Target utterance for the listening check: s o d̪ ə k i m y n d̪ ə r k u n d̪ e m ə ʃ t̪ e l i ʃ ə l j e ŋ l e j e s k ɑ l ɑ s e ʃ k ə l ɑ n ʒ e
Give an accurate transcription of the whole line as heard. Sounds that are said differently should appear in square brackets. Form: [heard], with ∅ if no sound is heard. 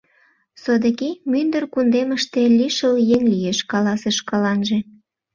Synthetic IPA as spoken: s o d̪ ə k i m y n d̪ ə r k u n d̪ e m ə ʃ t̪ e l i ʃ ə l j e ŋ l [i] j e [ʃ] k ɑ l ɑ s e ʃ k [ɑ] l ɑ n ʒ e